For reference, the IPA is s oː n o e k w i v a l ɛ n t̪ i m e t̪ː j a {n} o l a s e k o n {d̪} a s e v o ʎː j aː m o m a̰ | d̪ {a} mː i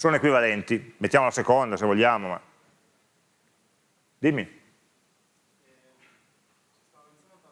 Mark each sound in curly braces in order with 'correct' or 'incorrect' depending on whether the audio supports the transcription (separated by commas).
incorrect, correct, incorrect